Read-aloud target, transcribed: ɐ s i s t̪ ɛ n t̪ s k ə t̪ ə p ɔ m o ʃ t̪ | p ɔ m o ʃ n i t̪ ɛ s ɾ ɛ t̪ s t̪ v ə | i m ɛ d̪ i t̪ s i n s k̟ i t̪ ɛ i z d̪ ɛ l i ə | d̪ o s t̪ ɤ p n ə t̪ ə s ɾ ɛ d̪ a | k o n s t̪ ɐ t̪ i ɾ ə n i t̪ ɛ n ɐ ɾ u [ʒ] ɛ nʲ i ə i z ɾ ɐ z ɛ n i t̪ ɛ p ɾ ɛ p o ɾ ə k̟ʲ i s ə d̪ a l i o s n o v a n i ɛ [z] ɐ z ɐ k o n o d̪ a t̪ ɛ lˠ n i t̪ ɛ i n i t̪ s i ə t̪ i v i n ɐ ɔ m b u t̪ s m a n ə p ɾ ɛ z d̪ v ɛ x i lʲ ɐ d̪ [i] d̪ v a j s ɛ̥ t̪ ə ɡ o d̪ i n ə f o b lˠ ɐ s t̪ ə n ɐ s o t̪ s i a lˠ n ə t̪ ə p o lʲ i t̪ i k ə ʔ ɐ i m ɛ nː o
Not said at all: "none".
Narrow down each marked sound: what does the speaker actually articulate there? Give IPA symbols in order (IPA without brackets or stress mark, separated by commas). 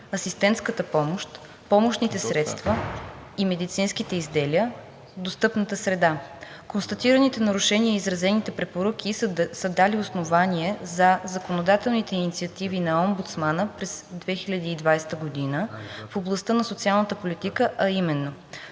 ʃ, z, iː